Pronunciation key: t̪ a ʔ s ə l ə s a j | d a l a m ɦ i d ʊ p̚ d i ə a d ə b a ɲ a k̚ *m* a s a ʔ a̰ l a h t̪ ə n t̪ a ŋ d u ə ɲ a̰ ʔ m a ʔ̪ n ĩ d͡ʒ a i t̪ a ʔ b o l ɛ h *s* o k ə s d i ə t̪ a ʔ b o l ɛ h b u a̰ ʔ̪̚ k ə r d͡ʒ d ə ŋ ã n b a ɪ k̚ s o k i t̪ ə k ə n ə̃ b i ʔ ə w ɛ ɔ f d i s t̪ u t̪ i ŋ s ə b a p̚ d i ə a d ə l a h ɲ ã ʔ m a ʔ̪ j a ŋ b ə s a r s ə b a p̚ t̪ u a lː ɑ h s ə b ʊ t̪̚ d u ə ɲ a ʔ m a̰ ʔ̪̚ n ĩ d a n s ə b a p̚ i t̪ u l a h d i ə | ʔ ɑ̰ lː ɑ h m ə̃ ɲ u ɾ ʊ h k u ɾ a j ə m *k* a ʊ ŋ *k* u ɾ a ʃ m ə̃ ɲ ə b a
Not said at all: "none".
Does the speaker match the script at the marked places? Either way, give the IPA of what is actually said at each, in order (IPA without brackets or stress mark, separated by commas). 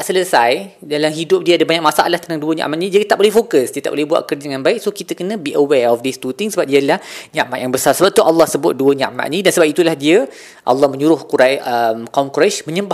m, f, k, k